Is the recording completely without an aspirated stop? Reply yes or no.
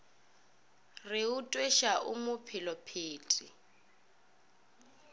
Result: no